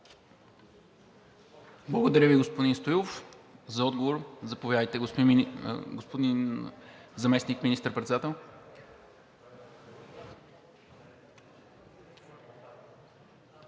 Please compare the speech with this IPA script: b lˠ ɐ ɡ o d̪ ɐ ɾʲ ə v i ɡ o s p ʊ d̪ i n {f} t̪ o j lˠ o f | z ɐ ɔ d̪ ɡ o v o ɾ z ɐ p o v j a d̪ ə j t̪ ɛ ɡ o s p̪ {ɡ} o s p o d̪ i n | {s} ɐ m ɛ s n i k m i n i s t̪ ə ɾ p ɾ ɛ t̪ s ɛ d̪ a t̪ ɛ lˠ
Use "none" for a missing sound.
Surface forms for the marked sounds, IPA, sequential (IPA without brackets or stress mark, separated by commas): s, ɡ, z